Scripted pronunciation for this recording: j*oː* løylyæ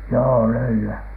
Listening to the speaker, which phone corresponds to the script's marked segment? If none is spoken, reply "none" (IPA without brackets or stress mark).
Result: oː